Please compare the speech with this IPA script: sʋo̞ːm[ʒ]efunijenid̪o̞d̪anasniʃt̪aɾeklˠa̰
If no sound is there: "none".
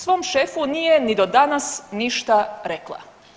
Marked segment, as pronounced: ʃ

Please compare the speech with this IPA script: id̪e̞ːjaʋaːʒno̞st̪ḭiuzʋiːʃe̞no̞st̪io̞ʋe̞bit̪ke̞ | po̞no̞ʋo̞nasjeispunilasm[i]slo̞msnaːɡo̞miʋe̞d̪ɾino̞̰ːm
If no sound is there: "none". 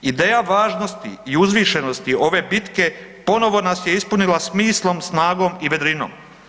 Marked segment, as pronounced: iː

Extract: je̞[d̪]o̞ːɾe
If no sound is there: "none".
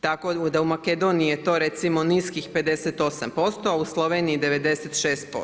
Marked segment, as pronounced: t̪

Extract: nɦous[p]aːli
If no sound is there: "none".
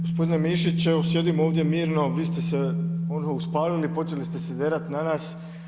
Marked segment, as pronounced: p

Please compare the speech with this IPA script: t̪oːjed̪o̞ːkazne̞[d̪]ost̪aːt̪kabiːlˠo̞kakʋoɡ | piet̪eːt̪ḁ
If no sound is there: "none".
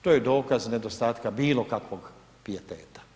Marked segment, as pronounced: d̪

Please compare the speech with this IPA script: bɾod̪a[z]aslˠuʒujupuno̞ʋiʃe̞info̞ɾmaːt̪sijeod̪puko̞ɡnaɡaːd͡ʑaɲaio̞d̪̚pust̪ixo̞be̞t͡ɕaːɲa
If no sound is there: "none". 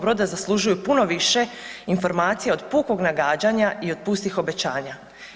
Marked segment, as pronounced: z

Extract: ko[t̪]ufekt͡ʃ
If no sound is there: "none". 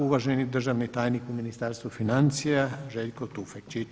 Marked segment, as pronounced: t̪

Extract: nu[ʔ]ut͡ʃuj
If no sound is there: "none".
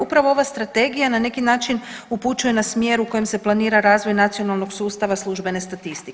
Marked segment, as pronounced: p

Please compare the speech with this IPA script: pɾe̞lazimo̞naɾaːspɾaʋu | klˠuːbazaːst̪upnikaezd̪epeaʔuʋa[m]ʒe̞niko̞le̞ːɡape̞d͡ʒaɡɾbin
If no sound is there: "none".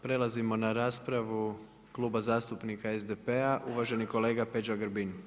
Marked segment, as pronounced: none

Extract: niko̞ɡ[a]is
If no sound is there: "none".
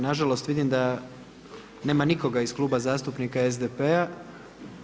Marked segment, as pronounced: a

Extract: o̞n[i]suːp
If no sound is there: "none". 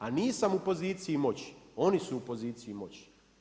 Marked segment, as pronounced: i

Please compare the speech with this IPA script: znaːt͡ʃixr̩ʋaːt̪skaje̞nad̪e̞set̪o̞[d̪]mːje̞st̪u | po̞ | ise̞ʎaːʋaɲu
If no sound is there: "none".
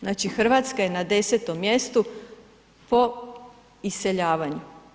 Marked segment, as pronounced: none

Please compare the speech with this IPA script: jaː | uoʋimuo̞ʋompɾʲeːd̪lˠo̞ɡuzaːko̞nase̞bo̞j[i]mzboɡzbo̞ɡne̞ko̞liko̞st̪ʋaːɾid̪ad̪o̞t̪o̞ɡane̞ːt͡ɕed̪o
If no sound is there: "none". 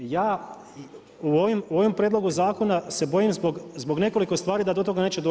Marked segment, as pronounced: i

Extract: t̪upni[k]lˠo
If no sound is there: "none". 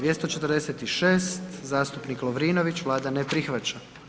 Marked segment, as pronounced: k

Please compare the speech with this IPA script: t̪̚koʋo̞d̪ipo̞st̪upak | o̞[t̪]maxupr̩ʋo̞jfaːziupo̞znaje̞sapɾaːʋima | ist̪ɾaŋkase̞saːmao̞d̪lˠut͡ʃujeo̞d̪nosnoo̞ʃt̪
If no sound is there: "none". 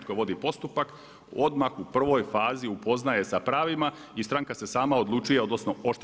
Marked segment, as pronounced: d̪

